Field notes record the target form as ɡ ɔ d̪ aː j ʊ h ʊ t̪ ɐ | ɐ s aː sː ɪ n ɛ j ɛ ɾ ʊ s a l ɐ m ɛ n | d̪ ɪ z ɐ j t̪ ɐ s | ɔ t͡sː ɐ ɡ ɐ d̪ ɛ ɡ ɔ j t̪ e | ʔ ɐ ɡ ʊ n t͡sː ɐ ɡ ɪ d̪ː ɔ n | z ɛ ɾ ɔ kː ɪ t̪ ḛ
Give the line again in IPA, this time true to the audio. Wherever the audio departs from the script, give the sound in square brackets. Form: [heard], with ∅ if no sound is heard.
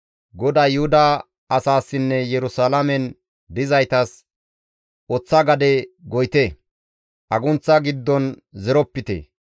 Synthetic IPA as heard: ɡ ɔ d̪ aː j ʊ h ʊ [d̪] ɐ | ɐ s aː sː ɪ [nː] ɛ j ɛ ɾ ʊ s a l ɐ m ɛ n | d̪ ɪ z ɐ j t̪ ɐ s | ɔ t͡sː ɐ ɡ ɐ d̪ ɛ ɡ ɔ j t̪ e | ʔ ɐ ɡ ʊ n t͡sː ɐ ɡ ɪ d̪ː ɔ n | z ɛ ɾ ɔ [pː] ɪ t̪ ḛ